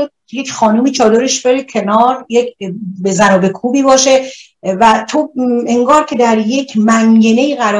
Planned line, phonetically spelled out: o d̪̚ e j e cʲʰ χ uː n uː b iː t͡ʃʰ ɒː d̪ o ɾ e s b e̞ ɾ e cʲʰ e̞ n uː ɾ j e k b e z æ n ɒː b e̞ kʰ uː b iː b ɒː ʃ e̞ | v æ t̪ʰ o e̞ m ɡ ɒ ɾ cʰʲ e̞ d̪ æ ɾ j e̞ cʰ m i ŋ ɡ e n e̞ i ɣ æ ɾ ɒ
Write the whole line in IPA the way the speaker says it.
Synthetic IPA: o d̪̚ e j e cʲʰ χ ɒː n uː m iː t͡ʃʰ ɒː d̪ o ɾ e ʃ b e̞ ɾ e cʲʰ e̞ n ɒː ɾ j e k b e z æ n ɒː b e̞ kʰ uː b iː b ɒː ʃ e̞ | v æ t̪ʰ o e̞ ŋ ɡ ɒː ɾ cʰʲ e̞ d̪ æ ɾ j e̞ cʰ m æ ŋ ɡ e n e̞ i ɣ æ ɾ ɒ